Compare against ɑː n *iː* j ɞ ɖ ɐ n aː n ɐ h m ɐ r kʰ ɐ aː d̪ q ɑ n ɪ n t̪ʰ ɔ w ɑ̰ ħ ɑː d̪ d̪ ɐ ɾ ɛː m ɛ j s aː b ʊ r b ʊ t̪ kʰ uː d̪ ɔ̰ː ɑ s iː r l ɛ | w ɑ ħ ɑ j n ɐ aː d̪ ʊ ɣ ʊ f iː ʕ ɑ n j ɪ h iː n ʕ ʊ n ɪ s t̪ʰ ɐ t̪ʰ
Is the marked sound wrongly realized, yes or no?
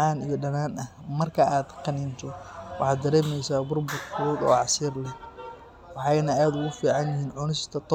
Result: yes